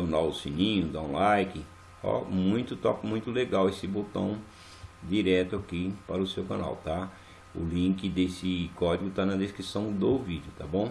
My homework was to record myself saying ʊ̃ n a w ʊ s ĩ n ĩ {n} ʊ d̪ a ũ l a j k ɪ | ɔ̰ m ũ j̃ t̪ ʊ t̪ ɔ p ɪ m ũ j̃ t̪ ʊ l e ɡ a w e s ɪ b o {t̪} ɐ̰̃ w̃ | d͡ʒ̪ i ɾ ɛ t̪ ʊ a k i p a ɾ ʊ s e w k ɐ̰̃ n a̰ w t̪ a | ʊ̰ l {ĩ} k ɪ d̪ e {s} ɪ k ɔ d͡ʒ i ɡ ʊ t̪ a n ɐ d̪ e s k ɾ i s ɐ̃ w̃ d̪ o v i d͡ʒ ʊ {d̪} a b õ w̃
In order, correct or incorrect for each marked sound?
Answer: incorrect, correct, correct, correct, incorrect

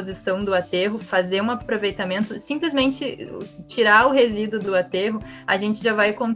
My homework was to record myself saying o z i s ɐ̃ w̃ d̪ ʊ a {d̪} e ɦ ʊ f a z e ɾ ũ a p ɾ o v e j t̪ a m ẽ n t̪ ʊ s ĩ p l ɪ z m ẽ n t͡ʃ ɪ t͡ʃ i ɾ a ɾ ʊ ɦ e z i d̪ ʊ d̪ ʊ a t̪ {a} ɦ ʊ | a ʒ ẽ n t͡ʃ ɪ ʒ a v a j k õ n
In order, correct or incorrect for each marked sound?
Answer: incorrect, incorrect

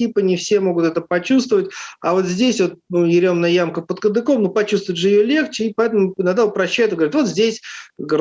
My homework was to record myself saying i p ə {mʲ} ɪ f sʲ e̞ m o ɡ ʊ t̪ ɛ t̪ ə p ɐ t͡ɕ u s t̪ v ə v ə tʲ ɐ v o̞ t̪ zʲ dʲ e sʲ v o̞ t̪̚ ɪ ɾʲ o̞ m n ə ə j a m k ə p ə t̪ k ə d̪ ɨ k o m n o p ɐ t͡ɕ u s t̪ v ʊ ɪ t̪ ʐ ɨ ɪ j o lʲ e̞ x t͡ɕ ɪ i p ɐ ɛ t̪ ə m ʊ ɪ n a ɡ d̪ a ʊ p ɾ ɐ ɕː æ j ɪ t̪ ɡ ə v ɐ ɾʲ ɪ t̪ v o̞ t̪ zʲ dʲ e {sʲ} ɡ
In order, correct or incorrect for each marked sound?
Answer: incorrect, correct

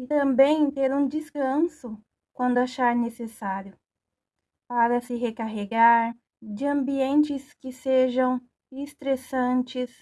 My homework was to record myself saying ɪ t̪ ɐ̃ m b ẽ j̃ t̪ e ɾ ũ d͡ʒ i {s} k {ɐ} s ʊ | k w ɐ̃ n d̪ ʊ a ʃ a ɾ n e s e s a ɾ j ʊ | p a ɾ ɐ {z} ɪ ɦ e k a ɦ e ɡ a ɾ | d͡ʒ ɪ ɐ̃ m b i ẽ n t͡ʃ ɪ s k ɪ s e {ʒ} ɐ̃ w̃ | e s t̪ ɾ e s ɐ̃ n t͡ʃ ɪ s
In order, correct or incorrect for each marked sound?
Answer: correct, incorrect, incorrect, correct

